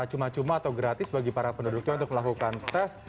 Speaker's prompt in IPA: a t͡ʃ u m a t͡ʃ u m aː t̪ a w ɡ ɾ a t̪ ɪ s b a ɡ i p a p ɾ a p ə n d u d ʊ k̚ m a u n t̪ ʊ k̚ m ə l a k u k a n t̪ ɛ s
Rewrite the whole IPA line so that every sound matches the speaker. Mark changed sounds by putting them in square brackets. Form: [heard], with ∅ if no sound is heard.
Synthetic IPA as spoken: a t͡ʃ u m a t͡ʃ u m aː t̪ a w ɡ ɾ a t̪ ɪ s b a ɡ i p a [∅] ɾ a p ə n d u d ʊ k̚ [ɲ] a u n t̪ ʊ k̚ m ə l a k u k a n t̪ ɛ s

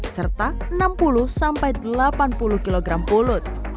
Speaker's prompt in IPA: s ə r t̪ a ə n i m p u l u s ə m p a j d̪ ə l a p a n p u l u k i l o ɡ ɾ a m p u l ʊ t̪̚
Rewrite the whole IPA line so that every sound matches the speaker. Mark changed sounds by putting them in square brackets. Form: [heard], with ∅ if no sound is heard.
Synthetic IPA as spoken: s ə r t̪ a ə n [a] m p u l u s [a] m p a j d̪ ə l a p a n p u l u k i l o ɡ ɾ a m p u l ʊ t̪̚

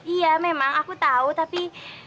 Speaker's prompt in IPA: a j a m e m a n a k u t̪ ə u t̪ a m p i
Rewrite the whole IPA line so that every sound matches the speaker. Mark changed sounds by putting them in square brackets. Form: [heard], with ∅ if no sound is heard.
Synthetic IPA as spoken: [i] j a m e m a [ŋ] a k u t̪ [a] u t̪ a [∅] p i

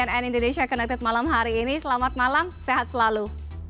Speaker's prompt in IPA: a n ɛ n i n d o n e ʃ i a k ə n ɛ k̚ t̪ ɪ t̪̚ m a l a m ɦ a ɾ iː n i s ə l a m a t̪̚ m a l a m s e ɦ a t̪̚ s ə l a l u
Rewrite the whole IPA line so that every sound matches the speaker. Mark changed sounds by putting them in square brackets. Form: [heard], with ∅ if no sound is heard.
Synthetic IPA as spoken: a n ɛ n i n d o n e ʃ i a k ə n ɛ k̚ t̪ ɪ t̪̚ m a l a m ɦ a ɾ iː n i s ə l a m a t̪̚ m a l a m s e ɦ a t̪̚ s ə l a l u

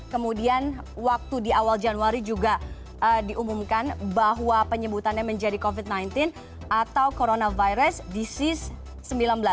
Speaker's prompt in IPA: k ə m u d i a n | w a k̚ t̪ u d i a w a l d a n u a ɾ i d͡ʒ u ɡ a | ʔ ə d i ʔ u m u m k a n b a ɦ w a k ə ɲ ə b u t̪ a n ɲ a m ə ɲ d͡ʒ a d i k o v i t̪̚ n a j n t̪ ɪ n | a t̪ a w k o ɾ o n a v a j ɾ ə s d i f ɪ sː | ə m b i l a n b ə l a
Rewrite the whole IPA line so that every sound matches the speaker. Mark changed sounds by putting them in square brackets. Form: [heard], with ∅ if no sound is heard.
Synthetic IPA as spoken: k ə m u d i a n | w a k̚ t̪ u d i a w a l [d͡ʒ] a n u a ɾ i d͡ʒ u ɡ a | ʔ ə d i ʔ u m u m k a n b a ɦ w a [p] ə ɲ ə b u t̪ a n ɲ a m ə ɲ d͡ʒ a d i k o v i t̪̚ n a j n t̪ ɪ n | a t̪ a w k o ɾ o n a v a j ɾ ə s d i [s] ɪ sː | ə m b i l a n b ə l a

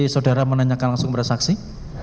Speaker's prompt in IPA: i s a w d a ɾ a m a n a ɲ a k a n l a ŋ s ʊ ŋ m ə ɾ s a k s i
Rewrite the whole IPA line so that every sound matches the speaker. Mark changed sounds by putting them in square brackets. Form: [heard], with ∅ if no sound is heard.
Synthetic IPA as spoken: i s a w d a ɾ a m [ə] n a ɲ a k a n l a ŋ s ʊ ŋ [b] ə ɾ s a k s i

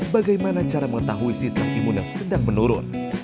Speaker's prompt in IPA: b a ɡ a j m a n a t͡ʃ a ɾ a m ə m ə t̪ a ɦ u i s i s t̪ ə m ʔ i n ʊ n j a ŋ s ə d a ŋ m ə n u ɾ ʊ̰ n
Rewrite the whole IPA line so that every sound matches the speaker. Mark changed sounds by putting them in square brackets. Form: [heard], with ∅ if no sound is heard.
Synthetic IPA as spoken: b a ɡ a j m a n a t͡ʃ a ɾ a m ə [ŋ] ə t̪ a ɦ u i s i s t̪ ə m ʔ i [m] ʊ n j a ŋ s ə d a ŋ m ə n u ɾ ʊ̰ n

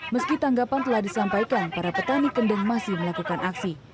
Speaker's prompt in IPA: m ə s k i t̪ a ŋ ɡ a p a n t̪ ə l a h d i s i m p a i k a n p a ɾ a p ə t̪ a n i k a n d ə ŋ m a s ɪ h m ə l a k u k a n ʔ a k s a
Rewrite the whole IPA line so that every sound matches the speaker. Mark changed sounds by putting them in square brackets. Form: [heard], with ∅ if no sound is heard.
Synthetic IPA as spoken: m ə s k i t̪ a ŋ ɡ a p a n t̪ ə l a h d i s [a] m p a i k a n p a ɾ a p ə t̪ a n i k [ə] n d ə ŋ m a s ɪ h m ə l a k u k a n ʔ a k s [i]

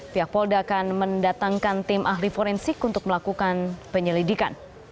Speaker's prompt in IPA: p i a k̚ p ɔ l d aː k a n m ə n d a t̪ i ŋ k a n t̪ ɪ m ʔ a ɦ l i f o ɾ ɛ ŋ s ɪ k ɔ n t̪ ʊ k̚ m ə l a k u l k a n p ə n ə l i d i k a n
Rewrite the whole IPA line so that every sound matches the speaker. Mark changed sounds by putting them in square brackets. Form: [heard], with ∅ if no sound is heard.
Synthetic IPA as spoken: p i a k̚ p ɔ l d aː k a n m ə n d a t̪ [a] ŋ k a n t̪ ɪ m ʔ a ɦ l i f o ɾ ɛ [n] s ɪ k [u] n t̪ ʊ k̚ m ə l a k u [∅] k a n p ə [ɲ] ə l i d i k a n

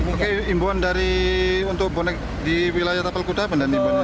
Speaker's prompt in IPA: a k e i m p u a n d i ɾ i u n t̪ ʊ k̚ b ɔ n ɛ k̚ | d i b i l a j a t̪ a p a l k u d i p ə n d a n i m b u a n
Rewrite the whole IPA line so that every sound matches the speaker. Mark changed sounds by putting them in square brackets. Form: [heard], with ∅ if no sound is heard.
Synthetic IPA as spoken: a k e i m [b] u a n d [a] ɾ i u n t̪ ʊ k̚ b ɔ n ɛ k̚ | d i [w] i l a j a t̪ a p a l k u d [a] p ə n d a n i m b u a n

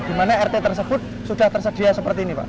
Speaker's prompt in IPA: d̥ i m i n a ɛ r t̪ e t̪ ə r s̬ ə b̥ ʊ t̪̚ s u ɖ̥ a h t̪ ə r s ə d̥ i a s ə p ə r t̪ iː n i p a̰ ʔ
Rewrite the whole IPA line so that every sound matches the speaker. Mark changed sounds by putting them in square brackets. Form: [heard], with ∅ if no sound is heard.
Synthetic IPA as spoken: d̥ i m [a] n a ɛ r t̪ e t̪ ə r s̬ ə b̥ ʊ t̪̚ s u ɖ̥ a h t̪ ə r s ə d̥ i a s ə p ə r t̪ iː n i p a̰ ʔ

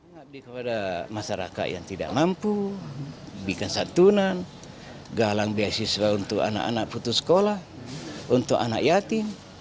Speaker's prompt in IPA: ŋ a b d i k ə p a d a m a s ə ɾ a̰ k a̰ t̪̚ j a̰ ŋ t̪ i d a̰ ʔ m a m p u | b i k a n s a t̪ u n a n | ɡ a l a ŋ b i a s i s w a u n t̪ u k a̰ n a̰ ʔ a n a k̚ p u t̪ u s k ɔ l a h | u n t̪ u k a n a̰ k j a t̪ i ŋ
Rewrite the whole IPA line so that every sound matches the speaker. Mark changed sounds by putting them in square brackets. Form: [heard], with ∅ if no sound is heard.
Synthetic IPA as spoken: ŋ a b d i k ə p a d a m a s [a] ɾ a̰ k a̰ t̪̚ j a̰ ŋ t̪ i d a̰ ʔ m a m p u | b i k a n s a t̪ u n a n | ɡ a l a ŋ b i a s i s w a u n t̪ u k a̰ n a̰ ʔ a n a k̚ p u t̪ u s k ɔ l a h | u n t̪ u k a n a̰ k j a t̪ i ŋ

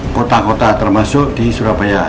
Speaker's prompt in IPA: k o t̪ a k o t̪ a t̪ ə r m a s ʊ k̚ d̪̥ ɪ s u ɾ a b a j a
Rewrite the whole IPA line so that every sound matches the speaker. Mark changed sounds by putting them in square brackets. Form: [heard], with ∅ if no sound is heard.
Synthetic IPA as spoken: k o t̪ a k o t̪ a t̪ ə r m a s ʊ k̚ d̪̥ [i] s u ɾ a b a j a

